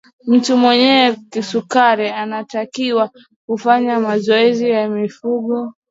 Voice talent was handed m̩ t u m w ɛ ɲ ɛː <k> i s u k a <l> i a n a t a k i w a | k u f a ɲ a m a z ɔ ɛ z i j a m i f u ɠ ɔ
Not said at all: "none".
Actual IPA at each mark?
k, ɾ

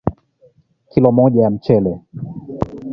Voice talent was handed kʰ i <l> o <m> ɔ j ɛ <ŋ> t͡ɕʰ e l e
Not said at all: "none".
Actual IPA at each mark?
l, m, m

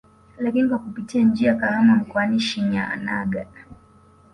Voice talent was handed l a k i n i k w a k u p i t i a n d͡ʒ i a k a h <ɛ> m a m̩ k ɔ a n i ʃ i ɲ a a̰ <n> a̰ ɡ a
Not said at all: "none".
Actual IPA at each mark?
a, n

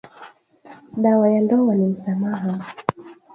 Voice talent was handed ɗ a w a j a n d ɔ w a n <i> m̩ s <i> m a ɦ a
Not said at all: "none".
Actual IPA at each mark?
i, a

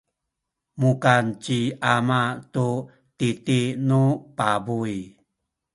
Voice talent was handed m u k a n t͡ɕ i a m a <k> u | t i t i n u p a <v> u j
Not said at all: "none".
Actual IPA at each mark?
t, b

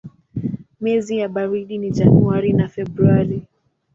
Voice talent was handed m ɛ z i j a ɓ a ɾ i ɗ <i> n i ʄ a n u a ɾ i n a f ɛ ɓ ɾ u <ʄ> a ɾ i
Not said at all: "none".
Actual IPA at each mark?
i, none

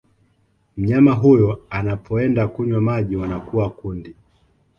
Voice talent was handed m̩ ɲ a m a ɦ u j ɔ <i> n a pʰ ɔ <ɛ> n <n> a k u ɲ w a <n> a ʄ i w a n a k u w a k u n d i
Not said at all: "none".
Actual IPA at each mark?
a, ɛ, d, m

